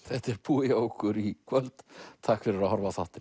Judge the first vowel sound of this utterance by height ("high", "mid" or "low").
mid